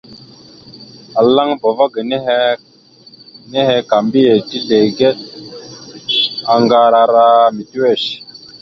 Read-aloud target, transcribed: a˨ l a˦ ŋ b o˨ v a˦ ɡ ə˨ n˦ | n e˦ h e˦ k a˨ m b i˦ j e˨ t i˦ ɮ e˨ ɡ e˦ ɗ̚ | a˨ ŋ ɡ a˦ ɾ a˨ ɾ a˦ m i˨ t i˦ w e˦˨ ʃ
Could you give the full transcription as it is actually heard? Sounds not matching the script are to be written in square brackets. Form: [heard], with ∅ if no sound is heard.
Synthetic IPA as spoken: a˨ l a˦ ŋ b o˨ v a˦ ɡ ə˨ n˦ | n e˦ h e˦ k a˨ m b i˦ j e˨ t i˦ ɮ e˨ ɡ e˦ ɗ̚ | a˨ ŋ ɡ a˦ ɾ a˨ ɾ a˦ m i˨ t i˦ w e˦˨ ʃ